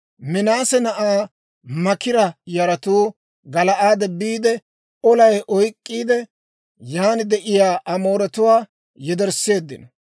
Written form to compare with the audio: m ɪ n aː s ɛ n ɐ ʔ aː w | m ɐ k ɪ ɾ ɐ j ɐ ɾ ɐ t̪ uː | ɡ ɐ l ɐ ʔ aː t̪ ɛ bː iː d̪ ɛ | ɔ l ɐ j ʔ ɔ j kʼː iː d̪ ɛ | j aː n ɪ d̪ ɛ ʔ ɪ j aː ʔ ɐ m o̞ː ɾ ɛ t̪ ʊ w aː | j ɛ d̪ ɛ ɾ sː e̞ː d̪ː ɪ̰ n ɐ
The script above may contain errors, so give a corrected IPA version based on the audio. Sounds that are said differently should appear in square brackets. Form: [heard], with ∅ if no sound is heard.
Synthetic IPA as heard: m ɪ n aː s ɛ n ɐ ʔ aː [∅] | m ɐ k ɪ ɾ ɐ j ɐ ɾ ɐ t̪ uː | ɡ ɐ l ɐ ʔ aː [d̪] ɛ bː iː d̪ ɛ | ɔ l ɐ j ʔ ɔ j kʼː iː d̪ ɛ | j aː n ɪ d̪ ɛ ʔ ɪ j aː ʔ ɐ m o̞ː ɾ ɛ t̪ ʊ w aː | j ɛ d̪ ɛ ɾ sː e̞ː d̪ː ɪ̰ n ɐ